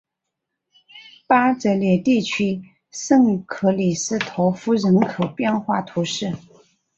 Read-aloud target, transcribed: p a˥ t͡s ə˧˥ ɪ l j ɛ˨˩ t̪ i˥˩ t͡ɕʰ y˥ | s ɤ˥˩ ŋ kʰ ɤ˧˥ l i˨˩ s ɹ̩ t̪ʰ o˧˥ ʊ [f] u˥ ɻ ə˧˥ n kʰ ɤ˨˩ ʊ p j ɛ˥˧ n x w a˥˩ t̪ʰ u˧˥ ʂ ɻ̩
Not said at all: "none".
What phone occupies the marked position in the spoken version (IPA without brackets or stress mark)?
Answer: f